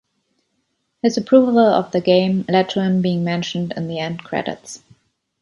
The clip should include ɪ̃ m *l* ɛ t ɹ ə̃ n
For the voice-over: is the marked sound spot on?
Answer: yes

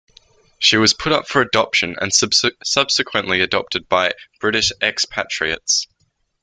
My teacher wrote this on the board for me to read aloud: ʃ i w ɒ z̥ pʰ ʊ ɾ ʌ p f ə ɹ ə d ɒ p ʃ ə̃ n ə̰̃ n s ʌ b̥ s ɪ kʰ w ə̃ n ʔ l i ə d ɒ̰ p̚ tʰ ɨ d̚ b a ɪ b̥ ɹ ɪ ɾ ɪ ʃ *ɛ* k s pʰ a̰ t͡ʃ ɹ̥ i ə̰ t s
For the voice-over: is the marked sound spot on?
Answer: yes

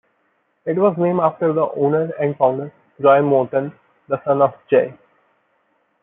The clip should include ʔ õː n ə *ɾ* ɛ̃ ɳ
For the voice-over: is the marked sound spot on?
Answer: yes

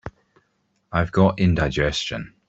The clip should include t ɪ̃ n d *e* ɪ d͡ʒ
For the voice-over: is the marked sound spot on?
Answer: no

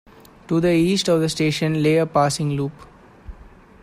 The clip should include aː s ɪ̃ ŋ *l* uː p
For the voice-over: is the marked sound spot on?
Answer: yes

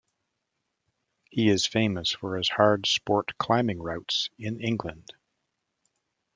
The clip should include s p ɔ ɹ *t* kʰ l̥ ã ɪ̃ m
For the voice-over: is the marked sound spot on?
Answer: yes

